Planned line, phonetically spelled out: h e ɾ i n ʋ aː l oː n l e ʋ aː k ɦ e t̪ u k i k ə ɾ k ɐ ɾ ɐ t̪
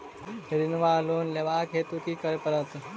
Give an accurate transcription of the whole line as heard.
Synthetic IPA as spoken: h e ɾ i n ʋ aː l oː n l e ʋ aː k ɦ e t̪ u k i k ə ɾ p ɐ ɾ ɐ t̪